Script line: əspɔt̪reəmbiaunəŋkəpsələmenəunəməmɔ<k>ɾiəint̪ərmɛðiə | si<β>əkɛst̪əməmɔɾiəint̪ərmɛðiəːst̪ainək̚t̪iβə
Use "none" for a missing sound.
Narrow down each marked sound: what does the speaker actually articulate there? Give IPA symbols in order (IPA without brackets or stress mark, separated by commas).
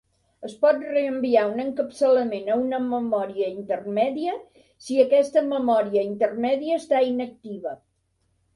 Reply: none, none